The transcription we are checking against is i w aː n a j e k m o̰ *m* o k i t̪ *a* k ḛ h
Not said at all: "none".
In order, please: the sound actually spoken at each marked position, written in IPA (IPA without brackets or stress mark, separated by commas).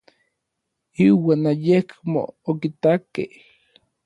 none, a